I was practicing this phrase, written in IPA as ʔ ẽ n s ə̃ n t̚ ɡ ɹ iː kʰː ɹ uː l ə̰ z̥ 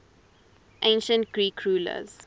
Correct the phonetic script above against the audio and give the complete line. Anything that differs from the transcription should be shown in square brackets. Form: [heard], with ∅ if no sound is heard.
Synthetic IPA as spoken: ʔ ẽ n [ʃ] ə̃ n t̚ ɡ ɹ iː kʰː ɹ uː l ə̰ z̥

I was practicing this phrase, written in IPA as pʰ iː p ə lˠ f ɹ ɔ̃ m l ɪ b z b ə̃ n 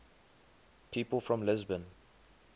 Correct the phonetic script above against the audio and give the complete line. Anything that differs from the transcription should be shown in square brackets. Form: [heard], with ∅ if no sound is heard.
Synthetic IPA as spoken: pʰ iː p ə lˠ f ɹ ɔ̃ m l ɪ [∅] z b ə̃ n

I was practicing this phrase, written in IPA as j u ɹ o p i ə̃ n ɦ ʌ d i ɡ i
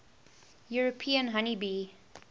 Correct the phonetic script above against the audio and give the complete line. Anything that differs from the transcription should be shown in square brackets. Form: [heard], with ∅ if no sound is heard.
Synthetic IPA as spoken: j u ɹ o [pʰ] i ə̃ n ɦ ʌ [n] i [b] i

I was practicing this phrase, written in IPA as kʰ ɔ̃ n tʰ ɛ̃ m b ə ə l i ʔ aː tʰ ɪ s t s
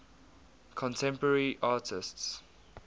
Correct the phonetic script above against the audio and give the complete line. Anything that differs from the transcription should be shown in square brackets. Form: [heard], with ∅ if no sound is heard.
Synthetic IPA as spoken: kʰ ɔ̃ n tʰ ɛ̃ m [p] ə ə [ɹ] i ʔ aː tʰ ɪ s t s

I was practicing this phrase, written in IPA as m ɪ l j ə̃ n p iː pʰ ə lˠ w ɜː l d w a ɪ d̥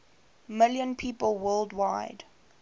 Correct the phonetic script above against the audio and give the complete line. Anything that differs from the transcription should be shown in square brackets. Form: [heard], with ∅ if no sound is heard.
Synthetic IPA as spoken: m ɪ l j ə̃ n [pʰ] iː [p] ə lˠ w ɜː l d w a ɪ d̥

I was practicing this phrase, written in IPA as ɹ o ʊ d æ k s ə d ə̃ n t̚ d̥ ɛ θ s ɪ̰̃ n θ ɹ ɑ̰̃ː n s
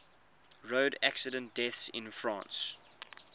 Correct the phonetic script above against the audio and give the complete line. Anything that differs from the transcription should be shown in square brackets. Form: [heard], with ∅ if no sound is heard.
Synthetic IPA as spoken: ɹ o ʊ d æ k s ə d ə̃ n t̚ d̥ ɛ θ s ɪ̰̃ n [f] ɹ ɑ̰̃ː n s

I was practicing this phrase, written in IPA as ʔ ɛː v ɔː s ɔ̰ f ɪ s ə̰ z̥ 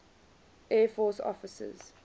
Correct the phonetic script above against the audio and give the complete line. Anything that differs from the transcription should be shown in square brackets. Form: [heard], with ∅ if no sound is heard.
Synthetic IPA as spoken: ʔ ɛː [f] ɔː s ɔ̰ f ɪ s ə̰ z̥

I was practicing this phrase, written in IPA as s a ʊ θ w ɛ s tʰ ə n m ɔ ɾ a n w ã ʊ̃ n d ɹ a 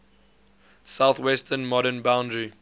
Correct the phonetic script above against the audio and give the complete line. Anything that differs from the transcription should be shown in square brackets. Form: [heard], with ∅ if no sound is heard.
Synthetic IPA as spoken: s a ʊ θ w ɛ s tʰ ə n m ɔ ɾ [ə] n [b] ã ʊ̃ n d ɹ [i]

